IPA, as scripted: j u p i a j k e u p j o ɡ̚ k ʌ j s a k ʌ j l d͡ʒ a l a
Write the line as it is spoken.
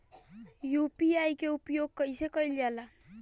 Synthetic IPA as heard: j u p i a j k e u p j o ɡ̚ k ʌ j s e k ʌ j l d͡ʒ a l a